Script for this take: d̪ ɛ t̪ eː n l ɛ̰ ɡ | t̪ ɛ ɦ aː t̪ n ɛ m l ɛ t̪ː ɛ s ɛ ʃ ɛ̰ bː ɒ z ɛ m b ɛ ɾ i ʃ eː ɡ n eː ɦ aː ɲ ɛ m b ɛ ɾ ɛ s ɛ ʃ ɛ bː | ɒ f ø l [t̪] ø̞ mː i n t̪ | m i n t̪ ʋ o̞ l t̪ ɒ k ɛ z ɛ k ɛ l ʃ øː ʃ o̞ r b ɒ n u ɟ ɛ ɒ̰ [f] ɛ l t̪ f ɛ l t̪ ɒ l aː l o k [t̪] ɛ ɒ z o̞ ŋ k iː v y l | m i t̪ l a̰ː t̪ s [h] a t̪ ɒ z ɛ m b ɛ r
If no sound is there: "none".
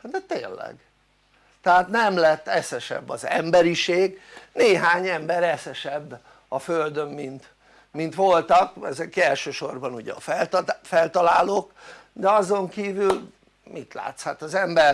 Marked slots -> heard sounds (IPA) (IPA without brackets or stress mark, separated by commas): d̪, f, d̪, h